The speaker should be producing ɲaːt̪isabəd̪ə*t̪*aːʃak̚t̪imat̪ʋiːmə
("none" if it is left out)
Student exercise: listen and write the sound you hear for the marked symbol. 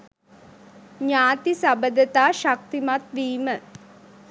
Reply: t̪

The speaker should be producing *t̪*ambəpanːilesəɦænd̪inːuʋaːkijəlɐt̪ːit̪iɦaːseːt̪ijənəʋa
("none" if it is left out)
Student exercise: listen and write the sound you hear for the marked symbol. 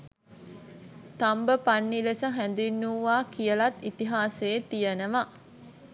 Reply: t̪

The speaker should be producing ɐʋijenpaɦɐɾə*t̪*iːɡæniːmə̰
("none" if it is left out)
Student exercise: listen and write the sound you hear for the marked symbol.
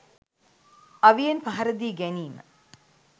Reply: d̪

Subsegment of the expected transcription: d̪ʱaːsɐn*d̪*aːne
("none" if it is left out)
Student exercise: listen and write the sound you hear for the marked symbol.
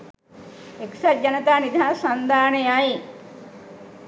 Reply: d̪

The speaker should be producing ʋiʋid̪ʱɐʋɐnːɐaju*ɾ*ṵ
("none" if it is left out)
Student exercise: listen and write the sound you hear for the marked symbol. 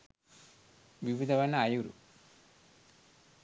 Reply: ɾ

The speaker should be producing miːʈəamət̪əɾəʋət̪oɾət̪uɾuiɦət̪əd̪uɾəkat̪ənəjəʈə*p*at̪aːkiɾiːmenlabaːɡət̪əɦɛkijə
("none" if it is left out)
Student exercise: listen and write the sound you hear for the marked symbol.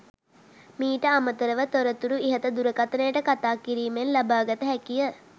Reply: k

